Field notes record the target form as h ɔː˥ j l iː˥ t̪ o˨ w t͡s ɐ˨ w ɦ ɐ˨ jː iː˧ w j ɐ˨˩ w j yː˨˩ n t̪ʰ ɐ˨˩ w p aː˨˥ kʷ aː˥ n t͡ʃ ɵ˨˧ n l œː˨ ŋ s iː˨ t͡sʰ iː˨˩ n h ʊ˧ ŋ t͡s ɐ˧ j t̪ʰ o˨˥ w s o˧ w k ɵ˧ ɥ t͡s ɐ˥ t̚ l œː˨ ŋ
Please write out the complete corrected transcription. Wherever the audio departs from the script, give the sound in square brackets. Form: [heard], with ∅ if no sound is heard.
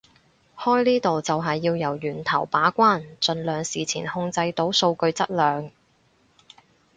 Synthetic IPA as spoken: h ɔː˥ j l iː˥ t̪ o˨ w t͡s ɐ˨ w ɦ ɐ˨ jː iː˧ w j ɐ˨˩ w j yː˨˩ n t̪ʰ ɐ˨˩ w p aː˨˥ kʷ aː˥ n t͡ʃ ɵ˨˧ n l œː˨ ŋ s iː˨ t͡sʰ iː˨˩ n h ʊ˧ ŋ t͡s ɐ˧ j [t̪] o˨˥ w s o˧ w k ɵ˧ ɥ t͡s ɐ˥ t̚ l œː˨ ŋ